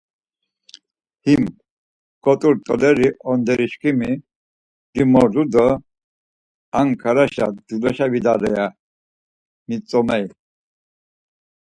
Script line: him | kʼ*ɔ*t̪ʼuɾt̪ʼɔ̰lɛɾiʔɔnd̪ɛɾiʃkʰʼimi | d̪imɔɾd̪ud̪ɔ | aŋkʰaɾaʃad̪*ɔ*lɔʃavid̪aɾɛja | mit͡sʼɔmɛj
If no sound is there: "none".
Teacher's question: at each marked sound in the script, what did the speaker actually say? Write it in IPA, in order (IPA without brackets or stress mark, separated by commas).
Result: ɔ, u